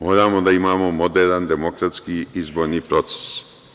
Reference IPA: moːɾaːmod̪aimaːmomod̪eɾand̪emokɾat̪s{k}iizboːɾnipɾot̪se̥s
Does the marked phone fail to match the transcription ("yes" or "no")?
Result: no